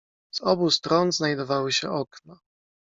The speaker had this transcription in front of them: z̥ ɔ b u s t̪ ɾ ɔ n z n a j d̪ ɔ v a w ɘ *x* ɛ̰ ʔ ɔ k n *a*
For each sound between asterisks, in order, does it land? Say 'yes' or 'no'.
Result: no, yes

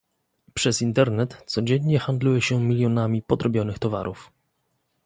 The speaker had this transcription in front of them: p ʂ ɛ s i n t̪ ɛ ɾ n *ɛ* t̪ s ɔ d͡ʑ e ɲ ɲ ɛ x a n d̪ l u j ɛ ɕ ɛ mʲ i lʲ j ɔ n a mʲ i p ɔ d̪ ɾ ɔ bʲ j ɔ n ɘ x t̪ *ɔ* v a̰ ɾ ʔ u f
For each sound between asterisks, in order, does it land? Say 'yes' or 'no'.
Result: yes, yes

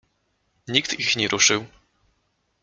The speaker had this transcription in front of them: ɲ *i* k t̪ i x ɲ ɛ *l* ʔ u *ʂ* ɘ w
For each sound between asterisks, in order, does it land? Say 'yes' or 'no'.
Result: yes, no, yes

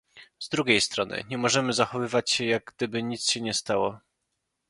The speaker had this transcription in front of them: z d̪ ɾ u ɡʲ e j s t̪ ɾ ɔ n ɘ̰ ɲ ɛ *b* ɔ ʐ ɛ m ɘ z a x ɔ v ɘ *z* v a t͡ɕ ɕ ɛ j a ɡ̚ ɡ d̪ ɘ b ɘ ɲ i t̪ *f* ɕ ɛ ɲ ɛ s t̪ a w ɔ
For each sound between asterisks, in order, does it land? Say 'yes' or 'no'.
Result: no, no, no

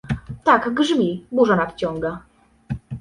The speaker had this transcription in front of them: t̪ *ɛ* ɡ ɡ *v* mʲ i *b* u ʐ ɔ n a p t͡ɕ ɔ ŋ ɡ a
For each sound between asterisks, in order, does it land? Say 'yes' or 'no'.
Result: no, no, yes

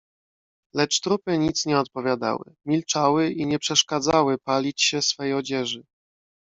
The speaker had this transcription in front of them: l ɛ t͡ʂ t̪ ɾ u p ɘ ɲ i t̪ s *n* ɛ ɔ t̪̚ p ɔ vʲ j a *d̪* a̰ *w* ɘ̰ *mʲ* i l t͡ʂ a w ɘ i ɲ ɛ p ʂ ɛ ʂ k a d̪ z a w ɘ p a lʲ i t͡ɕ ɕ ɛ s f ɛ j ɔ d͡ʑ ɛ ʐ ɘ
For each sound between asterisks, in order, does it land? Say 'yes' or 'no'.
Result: no, yes, yes, yes

